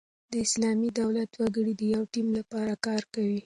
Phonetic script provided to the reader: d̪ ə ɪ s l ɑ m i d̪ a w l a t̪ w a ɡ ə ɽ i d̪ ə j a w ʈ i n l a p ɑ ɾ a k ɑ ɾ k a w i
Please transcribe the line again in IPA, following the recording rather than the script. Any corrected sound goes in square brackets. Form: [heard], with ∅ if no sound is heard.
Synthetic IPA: d̪ ə ɪ s l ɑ m i d̪ a w l a t̪ w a ɡ ə ɽ i d̪ ə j a w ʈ i [m] l a p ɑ ɾ a k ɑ ɾ k a w i